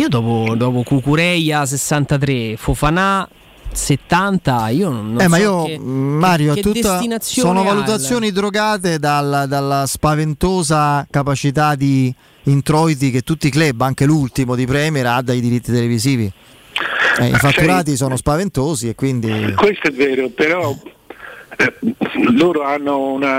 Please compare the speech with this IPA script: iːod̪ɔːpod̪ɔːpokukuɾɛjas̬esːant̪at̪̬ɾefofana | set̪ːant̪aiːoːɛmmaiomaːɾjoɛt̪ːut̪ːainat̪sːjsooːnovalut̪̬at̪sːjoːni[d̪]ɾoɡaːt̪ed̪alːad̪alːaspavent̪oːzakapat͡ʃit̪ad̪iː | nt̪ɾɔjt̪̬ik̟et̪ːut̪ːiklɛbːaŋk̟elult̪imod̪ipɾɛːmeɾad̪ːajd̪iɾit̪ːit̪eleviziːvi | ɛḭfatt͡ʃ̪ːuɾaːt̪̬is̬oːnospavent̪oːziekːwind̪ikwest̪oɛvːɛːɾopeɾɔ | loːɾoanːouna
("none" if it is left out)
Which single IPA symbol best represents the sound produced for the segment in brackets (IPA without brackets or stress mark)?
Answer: d̪